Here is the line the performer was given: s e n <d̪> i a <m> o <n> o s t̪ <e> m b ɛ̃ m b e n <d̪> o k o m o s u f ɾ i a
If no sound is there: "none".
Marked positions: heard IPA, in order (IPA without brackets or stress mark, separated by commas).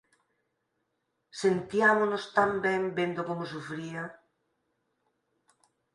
t̪, m, n, a, d̪